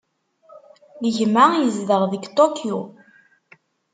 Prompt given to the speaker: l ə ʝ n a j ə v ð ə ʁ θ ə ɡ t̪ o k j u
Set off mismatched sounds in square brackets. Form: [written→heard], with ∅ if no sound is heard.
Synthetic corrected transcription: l ə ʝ [n→m] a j ə [v→z] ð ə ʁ [θ→ð] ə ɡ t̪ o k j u